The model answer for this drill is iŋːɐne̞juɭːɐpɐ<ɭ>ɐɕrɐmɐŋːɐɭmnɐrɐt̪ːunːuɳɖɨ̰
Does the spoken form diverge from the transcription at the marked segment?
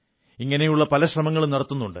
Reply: yes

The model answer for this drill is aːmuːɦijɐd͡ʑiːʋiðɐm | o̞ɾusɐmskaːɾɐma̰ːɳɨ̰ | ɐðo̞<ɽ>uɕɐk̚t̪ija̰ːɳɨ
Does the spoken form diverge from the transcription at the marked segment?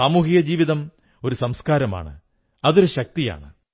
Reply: yes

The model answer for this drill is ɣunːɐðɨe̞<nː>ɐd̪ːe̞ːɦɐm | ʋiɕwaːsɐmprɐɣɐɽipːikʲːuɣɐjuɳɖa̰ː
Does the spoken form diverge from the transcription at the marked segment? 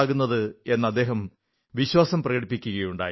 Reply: no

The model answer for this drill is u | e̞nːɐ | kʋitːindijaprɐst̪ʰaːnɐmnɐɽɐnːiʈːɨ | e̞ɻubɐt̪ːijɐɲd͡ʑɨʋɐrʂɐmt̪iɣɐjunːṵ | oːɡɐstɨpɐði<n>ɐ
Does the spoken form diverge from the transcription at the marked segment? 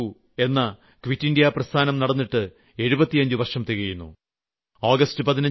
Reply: no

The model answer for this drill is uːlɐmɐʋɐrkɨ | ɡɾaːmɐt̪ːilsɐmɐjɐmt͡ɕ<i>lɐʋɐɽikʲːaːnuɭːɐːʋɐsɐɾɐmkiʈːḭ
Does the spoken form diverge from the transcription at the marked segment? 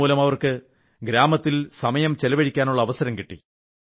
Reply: yes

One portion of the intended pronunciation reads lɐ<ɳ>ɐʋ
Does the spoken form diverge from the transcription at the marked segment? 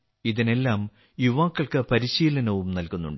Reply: yes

